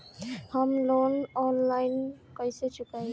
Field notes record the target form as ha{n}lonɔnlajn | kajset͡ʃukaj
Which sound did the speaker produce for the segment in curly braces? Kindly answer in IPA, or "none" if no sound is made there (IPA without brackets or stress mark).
m